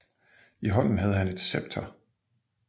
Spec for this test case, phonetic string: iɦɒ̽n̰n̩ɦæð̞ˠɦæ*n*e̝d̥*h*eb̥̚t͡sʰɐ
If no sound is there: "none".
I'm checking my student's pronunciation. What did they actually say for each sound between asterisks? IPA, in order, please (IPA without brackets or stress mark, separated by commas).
n, s